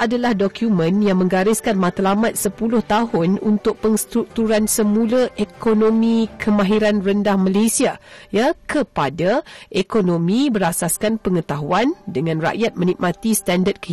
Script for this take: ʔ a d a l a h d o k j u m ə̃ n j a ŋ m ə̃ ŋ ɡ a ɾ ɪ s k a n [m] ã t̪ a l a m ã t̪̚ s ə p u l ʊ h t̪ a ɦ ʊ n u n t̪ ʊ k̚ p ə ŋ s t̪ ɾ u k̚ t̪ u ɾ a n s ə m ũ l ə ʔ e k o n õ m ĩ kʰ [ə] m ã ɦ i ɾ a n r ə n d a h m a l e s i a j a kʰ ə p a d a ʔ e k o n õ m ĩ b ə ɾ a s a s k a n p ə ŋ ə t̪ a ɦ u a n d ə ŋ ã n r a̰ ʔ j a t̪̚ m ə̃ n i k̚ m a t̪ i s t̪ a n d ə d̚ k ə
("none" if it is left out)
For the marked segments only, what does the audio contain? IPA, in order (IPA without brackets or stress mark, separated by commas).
m, ə